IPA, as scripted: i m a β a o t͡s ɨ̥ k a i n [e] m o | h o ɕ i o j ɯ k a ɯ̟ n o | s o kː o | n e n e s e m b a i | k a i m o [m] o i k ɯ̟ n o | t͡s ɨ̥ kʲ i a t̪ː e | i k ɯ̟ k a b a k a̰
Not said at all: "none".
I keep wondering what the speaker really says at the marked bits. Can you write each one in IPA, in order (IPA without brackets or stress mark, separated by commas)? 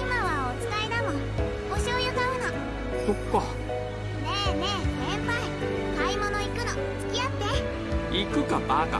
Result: a, n